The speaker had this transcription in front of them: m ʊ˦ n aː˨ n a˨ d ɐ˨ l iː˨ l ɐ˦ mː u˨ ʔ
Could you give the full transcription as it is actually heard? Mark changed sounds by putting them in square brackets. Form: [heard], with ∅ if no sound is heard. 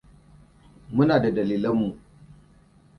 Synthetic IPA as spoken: m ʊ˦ n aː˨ [d] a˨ d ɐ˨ l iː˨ l ɐ˦ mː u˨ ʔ

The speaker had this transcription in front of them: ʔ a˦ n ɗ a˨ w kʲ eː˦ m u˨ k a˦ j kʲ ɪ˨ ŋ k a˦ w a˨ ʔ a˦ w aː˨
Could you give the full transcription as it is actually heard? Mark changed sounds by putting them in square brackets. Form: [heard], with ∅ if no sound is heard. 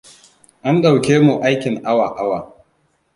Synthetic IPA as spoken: ʔ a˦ n ɗ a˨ w kʲ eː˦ m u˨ [ʔ] a˦ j kʲ ɪ˨ ŋ [ʔ] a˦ w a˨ ʔ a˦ w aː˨

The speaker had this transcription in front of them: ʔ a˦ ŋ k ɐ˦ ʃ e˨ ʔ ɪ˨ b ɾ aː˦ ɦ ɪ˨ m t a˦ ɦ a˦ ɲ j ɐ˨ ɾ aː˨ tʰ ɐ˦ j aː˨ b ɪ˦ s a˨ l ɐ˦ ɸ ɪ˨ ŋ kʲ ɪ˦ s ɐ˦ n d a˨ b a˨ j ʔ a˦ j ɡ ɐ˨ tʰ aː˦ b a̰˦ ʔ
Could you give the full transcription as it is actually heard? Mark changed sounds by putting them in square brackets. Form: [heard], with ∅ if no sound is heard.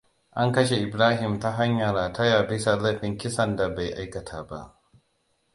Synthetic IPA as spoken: ʔ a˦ ŋ k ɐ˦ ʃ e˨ ʔ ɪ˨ b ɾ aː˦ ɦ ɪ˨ m t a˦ ɦ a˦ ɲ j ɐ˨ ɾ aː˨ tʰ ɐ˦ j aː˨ b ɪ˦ s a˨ l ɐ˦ ɸ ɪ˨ ŋ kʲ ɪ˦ s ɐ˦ n d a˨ b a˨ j ʔ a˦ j [k] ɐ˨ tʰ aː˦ b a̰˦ ʔ

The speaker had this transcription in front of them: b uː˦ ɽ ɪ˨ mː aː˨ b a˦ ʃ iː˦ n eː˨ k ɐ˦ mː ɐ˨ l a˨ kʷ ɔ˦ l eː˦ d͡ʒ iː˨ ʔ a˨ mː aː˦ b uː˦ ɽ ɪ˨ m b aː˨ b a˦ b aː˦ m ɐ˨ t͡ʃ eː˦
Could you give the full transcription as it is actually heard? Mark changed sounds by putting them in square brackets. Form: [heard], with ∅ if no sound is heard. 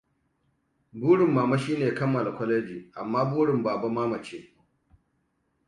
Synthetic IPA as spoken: b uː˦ ɽ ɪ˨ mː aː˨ [m] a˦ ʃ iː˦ n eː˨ k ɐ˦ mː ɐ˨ l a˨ kʷ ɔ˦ l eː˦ d͡ʒ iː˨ ʔ a˨ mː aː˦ b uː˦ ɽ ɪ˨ m b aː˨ b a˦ [m] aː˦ m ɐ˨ t͡ʃ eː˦

